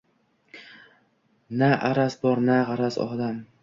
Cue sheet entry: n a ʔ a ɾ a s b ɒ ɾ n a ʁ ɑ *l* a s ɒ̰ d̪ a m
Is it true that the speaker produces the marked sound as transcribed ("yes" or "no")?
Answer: no